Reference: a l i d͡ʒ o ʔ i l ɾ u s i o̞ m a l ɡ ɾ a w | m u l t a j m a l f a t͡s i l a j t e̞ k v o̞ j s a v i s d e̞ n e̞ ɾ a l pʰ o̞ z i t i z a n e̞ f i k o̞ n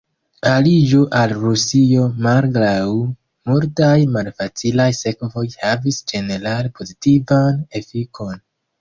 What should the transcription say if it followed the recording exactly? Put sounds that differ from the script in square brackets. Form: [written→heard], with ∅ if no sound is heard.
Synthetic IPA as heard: a l i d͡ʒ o ʔ [i→a] l ɾ u s i o̞ m a l ɡ ɾ a w | m u l t a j m a l f a t͡s i l a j [t→s] e̞ k v o̞ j [s→h] a v i s [d→d͡ʒ] e̞ n e̞ ɾ a l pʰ o̞ z i t i [z→v] a n e̞ f i k o̞ n

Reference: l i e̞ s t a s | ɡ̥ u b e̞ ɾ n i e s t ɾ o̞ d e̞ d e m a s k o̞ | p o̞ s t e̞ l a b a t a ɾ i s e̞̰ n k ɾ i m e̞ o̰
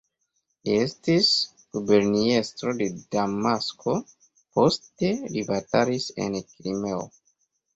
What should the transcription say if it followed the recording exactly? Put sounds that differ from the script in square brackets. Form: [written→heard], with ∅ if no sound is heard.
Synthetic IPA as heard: l i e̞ s t [a→i] s | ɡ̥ u b e̞ ɾ n i e s t ɾ o̞ d e̞ d [e→a] m a s k o̞ | p o̞ s t e̞ l [a→i] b a t a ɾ i s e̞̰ n k ɾ i m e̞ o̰

